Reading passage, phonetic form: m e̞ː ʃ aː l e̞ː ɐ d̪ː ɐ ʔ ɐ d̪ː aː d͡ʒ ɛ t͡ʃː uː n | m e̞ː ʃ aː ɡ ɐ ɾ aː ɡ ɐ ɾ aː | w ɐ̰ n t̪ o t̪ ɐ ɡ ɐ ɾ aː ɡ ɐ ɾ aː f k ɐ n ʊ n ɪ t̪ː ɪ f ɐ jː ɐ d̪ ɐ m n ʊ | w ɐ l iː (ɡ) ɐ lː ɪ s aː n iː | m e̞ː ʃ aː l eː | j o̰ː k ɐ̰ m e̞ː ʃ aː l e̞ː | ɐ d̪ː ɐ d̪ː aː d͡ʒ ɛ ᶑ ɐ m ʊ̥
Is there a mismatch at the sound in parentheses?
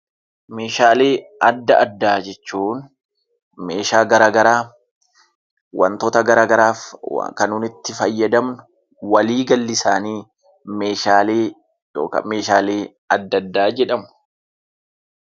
no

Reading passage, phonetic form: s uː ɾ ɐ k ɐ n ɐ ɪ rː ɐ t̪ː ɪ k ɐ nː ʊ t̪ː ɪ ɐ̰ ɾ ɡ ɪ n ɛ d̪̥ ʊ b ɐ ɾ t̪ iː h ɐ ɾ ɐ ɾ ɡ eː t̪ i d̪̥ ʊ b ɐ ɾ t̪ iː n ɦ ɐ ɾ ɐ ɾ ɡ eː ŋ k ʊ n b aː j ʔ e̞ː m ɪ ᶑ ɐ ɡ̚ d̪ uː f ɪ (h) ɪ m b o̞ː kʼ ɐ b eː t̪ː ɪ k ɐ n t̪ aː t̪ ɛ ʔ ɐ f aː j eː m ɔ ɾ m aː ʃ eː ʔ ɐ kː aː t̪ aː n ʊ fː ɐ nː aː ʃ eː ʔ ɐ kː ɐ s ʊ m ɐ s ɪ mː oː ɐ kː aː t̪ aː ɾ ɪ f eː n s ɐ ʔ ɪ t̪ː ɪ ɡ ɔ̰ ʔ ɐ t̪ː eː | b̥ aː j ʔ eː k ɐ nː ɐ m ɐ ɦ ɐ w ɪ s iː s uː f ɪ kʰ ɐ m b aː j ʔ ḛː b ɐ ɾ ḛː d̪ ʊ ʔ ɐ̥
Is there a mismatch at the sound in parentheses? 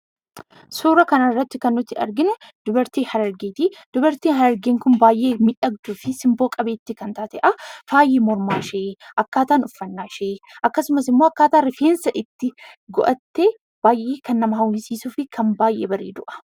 yes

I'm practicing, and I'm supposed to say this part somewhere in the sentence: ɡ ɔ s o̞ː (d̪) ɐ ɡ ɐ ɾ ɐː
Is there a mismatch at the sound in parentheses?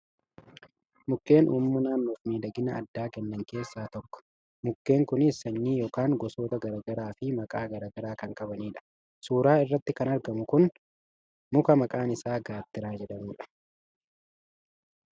yes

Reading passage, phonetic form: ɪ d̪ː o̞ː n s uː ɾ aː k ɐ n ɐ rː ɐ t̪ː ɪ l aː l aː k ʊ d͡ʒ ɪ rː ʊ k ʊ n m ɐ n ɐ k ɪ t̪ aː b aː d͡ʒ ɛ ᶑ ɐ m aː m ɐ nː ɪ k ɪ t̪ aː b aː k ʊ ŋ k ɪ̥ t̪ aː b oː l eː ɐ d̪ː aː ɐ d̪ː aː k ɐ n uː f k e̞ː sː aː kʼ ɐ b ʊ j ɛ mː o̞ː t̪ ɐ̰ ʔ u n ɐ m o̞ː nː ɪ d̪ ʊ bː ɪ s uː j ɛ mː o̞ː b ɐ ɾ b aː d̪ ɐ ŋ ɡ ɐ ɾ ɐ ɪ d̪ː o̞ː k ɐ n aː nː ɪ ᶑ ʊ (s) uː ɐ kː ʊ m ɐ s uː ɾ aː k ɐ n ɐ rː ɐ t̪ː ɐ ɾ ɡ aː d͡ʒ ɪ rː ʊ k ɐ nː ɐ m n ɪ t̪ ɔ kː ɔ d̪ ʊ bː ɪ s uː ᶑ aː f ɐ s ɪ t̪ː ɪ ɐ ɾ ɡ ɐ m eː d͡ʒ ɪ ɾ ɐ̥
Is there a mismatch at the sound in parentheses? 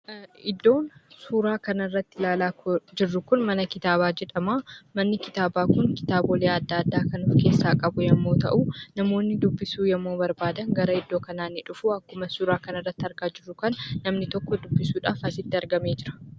yes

